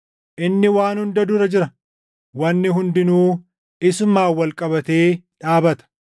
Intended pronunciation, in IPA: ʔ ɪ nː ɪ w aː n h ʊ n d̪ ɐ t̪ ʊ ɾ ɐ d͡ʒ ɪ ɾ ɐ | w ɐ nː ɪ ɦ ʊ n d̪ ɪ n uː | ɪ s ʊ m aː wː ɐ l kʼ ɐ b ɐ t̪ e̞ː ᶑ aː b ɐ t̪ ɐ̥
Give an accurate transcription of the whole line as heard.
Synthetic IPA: ʔ ɪ nː ɪ w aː n h ʊ n d̪ ɐ d̪ ʊ ɾ ɐ d͡ʒ ɪ ɾ ɐ | w ɐ nː ɪ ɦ ʊ n d̪ ɪ n uː | ɪ s ʊ m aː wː ɐ l kʼ ɐ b ɐ t̪ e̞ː ᶑ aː b ɐ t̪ ɐ̥